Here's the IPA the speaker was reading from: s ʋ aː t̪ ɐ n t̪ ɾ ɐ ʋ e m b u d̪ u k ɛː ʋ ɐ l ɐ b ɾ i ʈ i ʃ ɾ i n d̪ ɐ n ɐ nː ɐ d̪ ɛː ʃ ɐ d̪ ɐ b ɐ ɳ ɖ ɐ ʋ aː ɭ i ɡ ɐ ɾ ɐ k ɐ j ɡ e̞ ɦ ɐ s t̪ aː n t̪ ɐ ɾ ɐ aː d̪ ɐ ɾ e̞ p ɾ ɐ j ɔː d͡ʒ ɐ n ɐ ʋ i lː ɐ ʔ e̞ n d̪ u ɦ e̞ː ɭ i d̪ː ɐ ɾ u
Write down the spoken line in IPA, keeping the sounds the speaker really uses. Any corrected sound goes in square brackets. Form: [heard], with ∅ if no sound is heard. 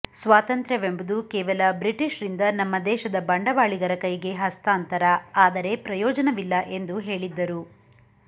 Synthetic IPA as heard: s ʋ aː t̪ ɐ n t̪ ɾ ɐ ʋ e m b u d̪ u k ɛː ʋ ɐ l ɐ b ɾ i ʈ i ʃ ɾ i n d̪ ɐ n ɐ [mː] ɐ d̪ ɛː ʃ ɐ d̪ ɐ b ɐ ɳ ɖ ɐ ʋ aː ɭ i ɡ ɐ ɾ ɐ k ɐ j ɡ e̞ ɦ ɐ s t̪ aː n t̪ ɐ ɾ ɐ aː d̪ ɐ ɾ e̞ p ɾ ɐ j ɔː d͡ʒ ɐ n ɐ ʋ i lː ɐ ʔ e̞ n d̪ u ɦ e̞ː ɭ i d̪ː ɐ ɾ u